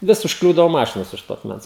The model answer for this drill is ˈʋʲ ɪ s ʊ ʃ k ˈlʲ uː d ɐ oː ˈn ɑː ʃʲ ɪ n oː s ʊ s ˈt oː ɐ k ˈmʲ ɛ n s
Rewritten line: ˈʋʲ ɪ s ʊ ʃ k ˈlʲ uː d ɐ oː ˈm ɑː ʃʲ ɪ n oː s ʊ ʃ ˈt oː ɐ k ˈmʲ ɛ n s